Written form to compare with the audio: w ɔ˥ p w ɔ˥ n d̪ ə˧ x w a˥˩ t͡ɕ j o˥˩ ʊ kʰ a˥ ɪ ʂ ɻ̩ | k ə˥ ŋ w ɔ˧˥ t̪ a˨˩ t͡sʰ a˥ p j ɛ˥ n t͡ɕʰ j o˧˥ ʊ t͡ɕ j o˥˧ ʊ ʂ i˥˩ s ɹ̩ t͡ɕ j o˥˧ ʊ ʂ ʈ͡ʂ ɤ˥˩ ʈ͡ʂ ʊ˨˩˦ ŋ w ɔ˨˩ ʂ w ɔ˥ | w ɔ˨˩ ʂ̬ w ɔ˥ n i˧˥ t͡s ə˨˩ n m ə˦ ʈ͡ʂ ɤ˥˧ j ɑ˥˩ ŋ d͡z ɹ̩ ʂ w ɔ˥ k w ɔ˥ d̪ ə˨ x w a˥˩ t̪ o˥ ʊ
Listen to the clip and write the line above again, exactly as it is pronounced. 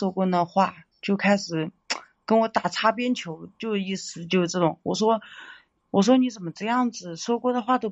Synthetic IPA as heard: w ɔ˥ k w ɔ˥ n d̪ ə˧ x w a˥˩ t͡ɕ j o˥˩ ʊ kʰ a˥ ɪ ʂ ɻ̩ | k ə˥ n w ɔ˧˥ t̪ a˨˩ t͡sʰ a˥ p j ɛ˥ n t͡ɕʰ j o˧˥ ʊ t͡ɕ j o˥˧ ʊ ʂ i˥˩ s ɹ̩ t͡ɕ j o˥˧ ʊ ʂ ʈ͡ʂ ɤ˥˩ ʈ͡ʂ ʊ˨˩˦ ŋ w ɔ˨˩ ʂ w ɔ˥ | w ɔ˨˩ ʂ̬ w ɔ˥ n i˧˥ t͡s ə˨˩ n m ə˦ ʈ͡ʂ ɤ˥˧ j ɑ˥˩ ŋ d͡z ɹ̩ ʂ w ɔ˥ k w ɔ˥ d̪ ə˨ x w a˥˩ t̪ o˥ ʊ